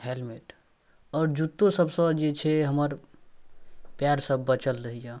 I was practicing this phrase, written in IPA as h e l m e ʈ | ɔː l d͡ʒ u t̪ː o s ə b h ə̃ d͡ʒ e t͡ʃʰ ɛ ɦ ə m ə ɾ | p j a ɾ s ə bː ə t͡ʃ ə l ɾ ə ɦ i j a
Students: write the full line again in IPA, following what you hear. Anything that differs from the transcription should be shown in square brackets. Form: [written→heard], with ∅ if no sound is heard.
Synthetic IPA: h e l m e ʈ | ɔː [l→ɾ] d͡ʒ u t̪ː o s ə b [h→s] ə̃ d͡ʒ e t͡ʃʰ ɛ ɦ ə m ə ɾ | p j a ɾ s ə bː ə t͡ʃ ə l ɾ ə ɦ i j a